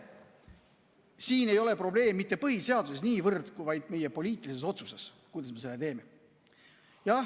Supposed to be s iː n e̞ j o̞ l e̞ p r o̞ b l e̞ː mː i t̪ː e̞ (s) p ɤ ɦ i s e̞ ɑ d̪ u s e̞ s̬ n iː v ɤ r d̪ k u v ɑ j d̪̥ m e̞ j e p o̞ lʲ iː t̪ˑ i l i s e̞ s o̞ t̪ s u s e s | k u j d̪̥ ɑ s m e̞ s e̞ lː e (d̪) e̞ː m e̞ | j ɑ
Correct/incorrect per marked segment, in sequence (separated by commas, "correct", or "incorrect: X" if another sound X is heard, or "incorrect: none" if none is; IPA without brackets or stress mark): incorrect: none, incorrect: t̪